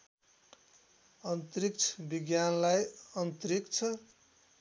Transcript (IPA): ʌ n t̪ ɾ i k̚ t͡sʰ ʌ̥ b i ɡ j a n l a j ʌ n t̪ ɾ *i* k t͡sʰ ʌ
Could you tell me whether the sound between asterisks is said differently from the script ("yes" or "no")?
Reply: no